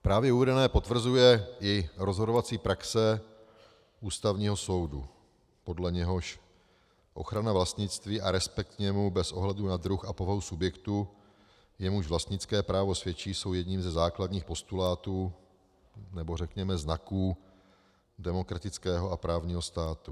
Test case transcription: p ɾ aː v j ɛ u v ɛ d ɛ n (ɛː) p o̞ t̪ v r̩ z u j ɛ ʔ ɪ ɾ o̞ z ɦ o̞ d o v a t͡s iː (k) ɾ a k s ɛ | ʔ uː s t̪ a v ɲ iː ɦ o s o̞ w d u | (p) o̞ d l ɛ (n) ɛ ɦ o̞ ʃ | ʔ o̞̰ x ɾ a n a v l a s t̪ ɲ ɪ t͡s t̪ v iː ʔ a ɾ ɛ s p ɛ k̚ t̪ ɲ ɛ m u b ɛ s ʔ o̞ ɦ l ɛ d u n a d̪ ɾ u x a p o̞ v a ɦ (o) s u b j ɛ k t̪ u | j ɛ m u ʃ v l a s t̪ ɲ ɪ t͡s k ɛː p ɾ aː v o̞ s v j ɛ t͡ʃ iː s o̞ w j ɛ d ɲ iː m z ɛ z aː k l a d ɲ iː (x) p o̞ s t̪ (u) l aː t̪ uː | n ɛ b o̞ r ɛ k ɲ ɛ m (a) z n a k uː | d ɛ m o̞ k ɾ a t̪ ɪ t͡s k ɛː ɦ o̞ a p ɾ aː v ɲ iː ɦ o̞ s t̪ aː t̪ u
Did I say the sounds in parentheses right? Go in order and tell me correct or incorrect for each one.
correct, incorrect: p, correct, incorrect: ɲ, incorrect: u, correct, correct, incorrect: ɛ

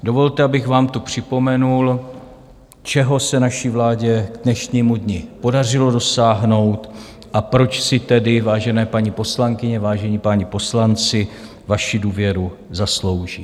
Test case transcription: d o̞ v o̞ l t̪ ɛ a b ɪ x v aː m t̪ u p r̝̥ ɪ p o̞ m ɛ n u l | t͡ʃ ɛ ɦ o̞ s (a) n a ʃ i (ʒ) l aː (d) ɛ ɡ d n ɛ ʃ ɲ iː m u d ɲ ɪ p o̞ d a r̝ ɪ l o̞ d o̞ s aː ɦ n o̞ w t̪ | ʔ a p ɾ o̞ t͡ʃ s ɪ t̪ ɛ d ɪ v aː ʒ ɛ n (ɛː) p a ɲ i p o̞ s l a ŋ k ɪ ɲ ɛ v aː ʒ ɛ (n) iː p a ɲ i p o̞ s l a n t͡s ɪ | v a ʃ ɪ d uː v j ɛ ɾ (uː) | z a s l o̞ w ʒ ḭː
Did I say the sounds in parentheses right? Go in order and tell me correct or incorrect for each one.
incorrect: ɛ, incorrect: v, incorrect: ɟ, correct, incorrect: ɲ, incorrect: u

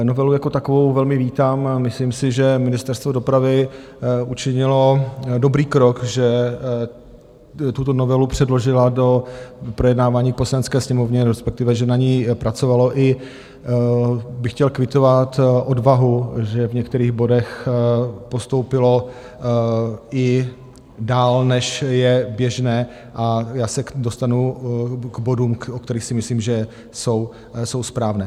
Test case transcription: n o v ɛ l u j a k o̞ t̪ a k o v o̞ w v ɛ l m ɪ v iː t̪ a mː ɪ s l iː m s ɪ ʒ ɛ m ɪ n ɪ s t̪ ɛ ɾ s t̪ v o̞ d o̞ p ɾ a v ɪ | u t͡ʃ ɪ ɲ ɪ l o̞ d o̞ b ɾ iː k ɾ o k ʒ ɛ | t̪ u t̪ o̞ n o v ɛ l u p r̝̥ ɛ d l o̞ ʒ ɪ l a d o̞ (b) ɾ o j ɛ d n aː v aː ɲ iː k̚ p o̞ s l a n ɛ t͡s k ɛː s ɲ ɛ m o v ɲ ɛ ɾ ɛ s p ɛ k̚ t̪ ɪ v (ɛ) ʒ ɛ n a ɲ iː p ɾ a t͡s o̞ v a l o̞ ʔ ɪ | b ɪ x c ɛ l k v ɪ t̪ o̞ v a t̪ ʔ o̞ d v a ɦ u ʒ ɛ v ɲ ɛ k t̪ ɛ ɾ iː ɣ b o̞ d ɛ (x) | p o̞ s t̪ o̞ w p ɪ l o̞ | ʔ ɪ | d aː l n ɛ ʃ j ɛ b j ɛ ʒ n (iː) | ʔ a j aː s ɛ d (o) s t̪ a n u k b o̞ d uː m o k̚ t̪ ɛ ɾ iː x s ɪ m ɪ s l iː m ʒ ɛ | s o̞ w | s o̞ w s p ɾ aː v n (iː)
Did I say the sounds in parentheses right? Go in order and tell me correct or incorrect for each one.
incorrect: p, correct, correct, incorrect: ɛː, correct, incorrect: ɛː

